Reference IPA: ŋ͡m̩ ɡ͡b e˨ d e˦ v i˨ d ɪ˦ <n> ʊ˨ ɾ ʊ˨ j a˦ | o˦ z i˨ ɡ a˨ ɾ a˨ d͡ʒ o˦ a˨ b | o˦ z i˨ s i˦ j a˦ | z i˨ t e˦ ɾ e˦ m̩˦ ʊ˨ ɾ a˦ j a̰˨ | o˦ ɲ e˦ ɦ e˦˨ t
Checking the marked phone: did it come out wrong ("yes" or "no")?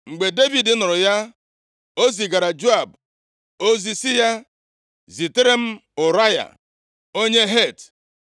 no